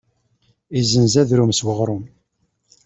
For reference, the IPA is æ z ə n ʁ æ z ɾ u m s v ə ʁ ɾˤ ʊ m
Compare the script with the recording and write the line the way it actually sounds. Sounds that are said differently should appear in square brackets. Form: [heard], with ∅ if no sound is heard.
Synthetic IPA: [i] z ə n [z] æ [ð] ɾ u m s [w] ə ʁ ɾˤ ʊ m